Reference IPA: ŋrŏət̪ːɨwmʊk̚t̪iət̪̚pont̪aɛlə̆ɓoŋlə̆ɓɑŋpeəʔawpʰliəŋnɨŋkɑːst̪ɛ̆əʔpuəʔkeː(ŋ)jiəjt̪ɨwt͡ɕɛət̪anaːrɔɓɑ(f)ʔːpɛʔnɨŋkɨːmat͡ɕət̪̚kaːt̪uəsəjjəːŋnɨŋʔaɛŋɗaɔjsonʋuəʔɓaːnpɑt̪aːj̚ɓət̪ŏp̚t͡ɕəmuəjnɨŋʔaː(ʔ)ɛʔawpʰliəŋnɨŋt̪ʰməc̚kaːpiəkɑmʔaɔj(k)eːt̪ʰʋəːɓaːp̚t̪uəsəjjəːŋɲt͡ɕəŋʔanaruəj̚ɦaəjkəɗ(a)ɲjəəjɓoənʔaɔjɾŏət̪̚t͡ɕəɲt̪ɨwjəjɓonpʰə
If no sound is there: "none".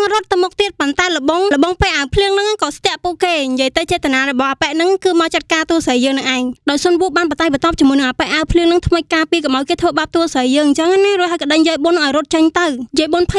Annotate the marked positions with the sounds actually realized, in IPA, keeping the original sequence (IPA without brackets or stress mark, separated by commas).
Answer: ɲ, h, p, k, ə